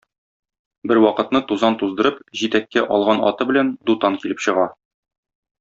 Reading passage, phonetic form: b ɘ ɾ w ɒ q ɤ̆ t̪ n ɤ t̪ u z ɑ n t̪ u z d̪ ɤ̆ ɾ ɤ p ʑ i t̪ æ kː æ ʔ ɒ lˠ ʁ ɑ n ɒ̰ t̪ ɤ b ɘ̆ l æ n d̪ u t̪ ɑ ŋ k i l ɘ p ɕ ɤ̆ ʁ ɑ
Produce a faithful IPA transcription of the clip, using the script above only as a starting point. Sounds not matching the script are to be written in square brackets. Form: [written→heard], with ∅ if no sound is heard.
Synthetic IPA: b ɘ ɾ w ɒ q ɤ̆ t̪ n ɤ t̪ u z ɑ n t̪ u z d̪ ɤ̆ ɾ ɤ p ʑ i t̪ æ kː æ ʔ ɒ lˠ ʁ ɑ n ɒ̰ t̪ ɤ b ɘ̆ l æ n d̪ u t̪ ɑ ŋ k i l ɘ p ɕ ɤ̆ ʁ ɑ